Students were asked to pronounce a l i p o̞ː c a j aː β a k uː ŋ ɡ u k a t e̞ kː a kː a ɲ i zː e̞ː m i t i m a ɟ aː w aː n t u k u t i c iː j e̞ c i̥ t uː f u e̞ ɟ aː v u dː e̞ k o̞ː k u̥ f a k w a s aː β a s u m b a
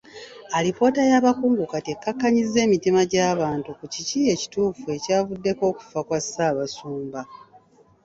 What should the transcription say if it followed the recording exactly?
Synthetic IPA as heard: a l i p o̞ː t a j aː β a k uː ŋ ɡ u k a t e̞ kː a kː a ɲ i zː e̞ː m i t i m a ɟ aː β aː n t u k u c i c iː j e̞ c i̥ t uː f u e̞ c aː v u dː e̞ k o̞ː k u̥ f a k w a s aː β a s uː m b a